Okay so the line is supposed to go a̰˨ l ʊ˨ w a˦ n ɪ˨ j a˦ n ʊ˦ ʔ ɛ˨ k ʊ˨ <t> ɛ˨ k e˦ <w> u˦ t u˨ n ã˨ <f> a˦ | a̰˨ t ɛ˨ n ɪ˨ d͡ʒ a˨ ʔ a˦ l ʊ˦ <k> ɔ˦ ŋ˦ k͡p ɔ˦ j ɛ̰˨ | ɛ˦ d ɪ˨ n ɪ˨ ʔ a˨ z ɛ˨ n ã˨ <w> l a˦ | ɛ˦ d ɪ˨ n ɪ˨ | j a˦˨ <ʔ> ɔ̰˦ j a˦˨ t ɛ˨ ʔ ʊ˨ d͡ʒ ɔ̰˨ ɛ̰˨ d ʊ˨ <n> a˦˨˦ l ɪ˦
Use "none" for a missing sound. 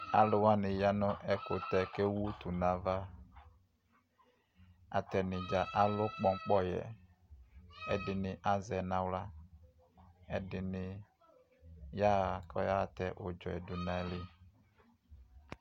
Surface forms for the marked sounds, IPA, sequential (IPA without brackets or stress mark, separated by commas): t, w, v, k͡p, w, k, n